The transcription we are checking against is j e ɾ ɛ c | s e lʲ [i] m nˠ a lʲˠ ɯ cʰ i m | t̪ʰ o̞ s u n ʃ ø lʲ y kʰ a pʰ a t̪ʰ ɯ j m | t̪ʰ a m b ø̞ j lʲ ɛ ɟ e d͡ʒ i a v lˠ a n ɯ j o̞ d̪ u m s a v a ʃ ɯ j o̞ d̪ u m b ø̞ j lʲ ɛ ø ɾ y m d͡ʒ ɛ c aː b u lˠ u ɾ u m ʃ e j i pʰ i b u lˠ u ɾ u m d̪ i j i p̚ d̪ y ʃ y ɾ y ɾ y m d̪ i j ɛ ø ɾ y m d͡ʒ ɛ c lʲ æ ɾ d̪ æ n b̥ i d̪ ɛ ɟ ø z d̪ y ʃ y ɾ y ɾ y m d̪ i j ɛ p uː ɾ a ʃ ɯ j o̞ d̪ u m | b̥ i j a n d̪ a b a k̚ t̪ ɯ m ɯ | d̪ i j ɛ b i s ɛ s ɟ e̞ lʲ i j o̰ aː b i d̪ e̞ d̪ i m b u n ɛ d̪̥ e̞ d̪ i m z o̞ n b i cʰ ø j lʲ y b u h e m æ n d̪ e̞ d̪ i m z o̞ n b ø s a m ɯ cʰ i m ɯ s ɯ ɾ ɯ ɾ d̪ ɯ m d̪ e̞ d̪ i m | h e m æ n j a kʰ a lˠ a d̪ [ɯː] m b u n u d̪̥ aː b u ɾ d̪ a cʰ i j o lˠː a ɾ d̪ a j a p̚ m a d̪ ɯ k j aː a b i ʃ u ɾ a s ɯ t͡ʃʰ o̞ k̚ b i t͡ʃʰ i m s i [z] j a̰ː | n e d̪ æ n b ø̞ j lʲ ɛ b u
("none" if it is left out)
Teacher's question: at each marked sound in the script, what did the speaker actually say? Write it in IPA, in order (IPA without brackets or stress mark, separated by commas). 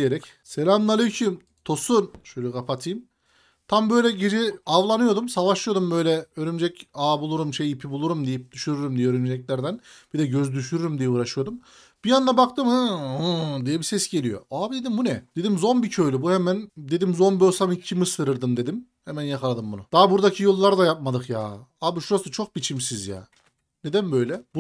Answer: a, ɯ, z